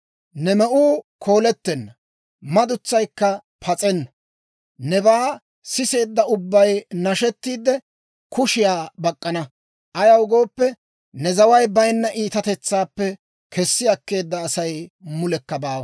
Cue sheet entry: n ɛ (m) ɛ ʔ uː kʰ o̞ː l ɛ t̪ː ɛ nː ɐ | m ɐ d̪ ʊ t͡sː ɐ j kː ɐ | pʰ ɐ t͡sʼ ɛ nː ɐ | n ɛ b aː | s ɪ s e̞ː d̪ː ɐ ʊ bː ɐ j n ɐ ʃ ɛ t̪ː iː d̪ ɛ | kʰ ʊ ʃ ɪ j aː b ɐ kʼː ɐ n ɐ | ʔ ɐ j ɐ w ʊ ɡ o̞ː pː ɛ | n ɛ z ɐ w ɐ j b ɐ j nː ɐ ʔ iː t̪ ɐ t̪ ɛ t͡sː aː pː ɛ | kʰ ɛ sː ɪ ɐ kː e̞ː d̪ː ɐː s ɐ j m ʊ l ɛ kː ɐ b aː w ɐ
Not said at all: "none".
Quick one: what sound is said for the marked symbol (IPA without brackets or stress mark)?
m